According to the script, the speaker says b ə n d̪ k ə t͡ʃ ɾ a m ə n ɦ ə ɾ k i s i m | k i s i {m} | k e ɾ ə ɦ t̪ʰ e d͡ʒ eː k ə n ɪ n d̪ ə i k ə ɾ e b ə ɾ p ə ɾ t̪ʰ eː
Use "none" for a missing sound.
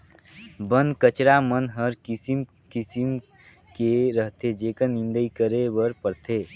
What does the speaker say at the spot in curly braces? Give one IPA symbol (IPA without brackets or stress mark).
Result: m